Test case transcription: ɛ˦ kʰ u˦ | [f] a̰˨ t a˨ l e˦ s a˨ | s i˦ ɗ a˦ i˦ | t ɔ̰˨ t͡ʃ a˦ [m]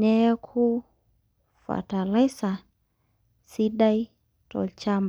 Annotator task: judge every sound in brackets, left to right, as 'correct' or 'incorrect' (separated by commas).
correct, correct